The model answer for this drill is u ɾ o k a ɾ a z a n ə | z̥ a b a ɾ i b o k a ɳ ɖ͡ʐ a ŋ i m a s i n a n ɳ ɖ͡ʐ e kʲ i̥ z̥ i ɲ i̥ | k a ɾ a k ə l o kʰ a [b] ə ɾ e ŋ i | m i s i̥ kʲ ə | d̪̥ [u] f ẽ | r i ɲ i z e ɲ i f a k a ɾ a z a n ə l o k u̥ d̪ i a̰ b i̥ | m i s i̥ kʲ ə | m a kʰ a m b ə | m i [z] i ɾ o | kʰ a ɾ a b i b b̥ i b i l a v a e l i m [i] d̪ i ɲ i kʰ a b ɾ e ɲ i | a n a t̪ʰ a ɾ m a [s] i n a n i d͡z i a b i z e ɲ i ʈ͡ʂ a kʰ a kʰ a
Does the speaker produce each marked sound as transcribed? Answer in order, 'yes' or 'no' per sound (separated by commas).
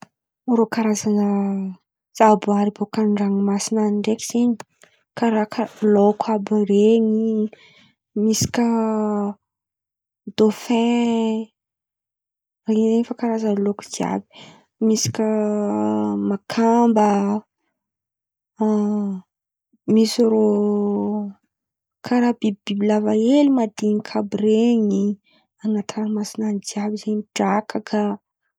yes, no, no, no, yes